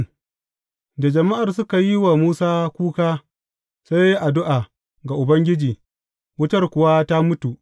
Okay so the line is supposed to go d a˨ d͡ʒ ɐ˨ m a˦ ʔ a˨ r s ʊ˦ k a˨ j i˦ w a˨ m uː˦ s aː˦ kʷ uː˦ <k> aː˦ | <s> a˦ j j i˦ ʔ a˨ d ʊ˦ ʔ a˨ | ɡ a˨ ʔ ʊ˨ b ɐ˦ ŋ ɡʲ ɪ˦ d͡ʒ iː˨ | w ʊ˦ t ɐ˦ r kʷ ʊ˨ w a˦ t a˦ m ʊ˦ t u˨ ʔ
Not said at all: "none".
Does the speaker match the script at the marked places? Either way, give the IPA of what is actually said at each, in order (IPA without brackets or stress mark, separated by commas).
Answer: k, s